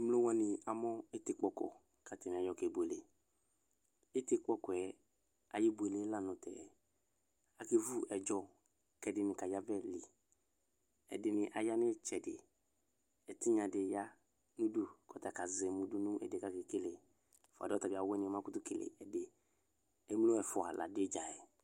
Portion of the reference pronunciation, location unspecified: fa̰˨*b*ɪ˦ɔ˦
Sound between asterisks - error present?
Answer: yes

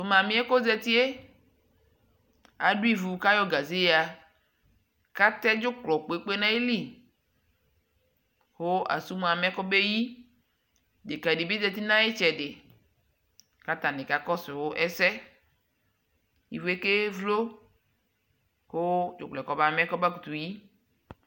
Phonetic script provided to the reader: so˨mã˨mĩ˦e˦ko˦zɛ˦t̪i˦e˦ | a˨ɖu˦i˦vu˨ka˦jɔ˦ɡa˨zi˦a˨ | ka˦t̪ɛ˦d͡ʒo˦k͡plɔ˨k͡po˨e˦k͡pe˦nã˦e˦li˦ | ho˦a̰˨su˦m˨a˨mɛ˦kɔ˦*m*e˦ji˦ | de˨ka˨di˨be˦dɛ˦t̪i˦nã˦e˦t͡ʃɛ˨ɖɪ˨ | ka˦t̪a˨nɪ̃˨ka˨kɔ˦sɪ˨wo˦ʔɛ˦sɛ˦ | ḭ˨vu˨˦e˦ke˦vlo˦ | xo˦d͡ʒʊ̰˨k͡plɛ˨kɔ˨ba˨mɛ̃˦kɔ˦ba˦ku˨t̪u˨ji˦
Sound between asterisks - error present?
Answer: yes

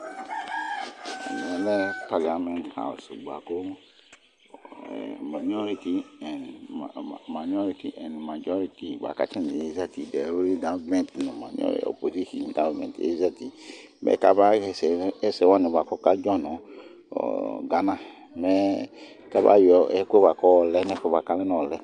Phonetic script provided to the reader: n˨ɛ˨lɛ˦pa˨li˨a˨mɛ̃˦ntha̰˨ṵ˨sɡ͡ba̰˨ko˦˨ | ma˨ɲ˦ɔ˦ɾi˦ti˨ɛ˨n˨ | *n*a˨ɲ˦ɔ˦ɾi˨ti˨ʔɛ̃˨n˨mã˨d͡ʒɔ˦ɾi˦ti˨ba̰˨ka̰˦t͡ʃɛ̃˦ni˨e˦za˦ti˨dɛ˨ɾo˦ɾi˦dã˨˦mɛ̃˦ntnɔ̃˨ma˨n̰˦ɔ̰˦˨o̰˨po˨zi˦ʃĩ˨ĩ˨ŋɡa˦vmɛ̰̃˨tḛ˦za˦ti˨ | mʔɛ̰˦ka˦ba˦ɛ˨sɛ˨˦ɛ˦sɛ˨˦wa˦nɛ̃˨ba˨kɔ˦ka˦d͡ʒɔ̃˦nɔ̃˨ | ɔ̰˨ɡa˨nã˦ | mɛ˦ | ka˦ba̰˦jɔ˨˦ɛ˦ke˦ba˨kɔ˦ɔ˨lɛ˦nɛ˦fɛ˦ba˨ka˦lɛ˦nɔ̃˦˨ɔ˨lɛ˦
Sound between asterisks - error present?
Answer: yes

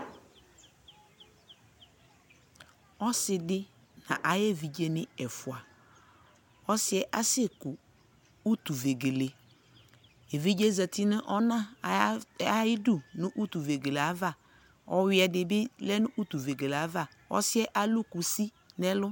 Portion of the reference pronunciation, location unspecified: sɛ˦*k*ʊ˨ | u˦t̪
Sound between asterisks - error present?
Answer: no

